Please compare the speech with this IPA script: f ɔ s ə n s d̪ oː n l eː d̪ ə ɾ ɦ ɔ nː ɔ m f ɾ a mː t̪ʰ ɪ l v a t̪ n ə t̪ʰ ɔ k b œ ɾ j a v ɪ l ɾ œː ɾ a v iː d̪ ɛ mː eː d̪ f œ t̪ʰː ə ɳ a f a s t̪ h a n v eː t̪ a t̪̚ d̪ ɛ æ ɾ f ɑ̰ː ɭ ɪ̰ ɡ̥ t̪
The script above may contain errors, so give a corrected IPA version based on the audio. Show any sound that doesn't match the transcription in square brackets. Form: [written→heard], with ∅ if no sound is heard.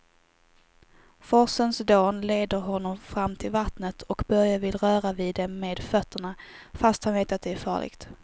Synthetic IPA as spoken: f ɔ s ə n s d̪ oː n l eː d̪ ə ɾ ɦ ɔ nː ɔ m f ɾ a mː t̪ʰ ɪ l v a t̪ n ə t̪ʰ ɔ k b œ ɾ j a v ɪ l ɾ œː ɾ a v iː d̪ ɛ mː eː d̪ f œ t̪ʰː ə ɳ a f a s t̪ h a n v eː t̪ a t̪̚ d̪ ɛ æ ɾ f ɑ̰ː ɭ ɪ̰ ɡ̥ t̪